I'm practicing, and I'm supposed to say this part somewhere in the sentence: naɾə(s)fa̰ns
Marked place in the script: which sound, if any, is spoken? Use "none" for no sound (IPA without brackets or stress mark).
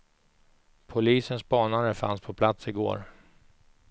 none